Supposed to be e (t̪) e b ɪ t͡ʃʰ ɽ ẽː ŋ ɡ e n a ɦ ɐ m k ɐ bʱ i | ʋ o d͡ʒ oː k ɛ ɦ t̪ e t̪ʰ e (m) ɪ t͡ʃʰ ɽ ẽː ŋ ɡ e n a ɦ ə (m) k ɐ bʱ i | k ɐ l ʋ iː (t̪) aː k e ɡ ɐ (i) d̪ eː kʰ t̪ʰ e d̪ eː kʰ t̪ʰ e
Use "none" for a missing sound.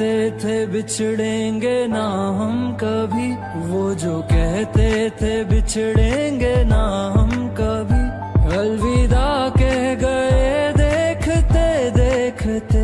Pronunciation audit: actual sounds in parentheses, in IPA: t̪ʰ, b, m, d̪, e

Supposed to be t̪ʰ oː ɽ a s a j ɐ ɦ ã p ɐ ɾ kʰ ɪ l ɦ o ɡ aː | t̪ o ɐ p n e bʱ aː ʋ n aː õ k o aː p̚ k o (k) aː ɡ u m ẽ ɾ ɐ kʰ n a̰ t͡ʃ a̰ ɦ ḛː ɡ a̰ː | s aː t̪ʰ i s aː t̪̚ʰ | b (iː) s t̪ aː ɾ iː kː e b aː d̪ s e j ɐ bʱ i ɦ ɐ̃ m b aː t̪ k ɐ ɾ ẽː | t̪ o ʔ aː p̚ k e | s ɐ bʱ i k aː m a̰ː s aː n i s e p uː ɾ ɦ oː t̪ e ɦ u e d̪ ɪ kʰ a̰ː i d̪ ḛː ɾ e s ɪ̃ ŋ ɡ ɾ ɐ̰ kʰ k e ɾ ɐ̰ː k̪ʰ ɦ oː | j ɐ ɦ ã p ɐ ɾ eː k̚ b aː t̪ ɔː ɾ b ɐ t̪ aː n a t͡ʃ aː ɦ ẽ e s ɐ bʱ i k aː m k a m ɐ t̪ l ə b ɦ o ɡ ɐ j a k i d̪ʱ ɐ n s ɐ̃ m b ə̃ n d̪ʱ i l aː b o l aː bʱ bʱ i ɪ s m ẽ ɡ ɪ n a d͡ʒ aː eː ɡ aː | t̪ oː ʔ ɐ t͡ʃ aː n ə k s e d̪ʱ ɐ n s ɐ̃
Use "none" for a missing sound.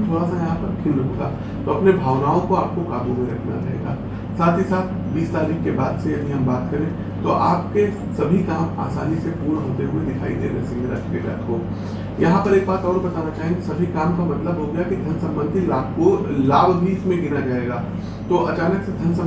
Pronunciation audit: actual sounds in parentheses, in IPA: k, iː

